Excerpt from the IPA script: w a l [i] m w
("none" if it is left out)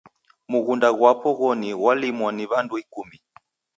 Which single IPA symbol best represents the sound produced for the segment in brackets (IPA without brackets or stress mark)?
i